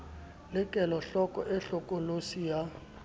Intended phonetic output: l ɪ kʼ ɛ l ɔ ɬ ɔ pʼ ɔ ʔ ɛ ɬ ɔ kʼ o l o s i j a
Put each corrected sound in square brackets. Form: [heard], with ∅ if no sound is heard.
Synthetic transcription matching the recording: l ɪ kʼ ɛ l ɔ ɬ ɔ [kʼ] ɔ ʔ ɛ ɬ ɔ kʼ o l o s i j a